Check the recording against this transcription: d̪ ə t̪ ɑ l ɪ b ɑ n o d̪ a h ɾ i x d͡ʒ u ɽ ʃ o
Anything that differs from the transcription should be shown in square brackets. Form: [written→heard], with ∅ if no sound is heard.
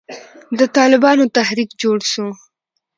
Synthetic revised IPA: d̪ ə t̪ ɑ l ɪ b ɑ n o [d̪→t̪] a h ɾ i [x→k] d͡ʒ [u→o] ɽ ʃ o